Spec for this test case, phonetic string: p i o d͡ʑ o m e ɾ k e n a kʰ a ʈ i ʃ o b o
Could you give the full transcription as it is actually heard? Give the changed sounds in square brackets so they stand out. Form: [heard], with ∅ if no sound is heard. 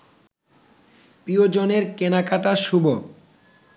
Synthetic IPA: p i o d͡ʑ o [n] e ɾ k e n a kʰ a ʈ [a] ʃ [u] b o